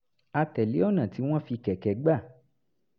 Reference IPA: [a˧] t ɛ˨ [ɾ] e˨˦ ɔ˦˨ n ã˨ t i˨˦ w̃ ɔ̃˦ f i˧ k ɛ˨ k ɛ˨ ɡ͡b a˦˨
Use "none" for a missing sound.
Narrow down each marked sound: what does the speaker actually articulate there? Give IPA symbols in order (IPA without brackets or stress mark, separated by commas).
a˧, l